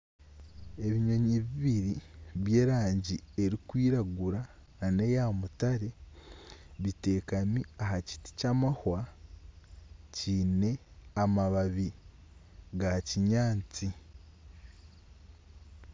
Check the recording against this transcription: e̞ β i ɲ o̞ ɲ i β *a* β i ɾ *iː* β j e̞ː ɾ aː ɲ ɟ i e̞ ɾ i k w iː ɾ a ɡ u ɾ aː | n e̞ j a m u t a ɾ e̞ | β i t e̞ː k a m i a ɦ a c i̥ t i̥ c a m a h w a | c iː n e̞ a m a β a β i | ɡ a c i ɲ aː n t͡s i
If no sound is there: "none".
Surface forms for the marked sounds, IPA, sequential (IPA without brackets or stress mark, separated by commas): i, i